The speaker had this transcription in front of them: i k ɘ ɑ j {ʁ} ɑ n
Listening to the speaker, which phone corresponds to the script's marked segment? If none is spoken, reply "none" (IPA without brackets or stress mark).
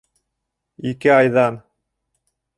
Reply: ð